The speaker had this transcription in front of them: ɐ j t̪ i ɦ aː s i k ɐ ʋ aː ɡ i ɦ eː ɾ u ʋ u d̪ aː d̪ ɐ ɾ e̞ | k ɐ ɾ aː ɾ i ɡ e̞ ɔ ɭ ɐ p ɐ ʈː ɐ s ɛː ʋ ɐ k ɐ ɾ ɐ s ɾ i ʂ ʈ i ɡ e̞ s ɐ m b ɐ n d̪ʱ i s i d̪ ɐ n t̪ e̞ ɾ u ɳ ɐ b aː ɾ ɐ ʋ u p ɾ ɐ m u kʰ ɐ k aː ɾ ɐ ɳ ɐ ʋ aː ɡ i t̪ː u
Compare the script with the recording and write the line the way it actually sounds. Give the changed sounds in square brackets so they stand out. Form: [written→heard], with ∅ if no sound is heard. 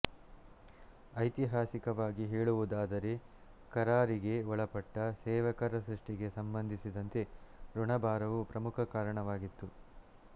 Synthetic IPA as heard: ɐ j t̪ i ɦ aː s i k ɐ ʋ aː ɡ i ɦ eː [ɾ→ɭ] u ʋ u d̪ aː d̪ ɐ ɾ e̞ | k ɐ ɾ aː ɾ i ɡ e̞ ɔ ɭ ɐ p ɐ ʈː ɐ s ɛː ʋ ɐ k ɐ ɾ ɐ s ɾ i ʂ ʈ i ɡ e̞ s ɐ m b ɐ n d̪ʱ i s i d̪ ɐ n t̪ e̞ ɾ u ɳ ɐ b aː ɾ ɐ ʋ u p ɾ ɐ m u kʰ ɐ k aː ɾ ɐ ɳ ɐ ʋ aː ɡ i t̪ː u